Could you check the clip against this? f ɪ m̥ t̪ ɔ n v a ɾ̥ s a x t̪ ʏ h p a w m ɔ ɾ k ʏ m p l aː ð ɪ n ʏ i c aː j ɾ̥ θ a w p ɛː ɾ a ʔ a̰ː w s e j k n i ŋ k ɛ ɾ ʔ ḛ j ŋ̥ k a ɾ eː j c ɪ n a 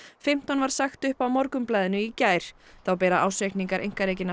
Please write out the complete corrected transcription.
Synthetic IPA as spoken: f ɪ m̥ t̪ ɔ n v a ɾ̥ s a x t̪ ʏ h p a w m ɔ ɾ k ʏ m p l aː ð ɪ n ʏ i c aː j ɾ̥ θ a w p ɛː ɾ a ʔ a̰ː w s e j k n i ŋ k a ɾ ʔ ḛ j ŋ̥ k a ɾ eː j c ɪ n a